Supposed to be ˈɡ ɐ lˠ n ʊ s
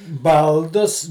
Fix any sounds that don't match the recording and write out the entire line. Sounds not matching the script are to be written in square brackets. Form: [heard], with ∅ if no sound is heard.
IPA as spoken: [ˈb] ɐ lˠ [d] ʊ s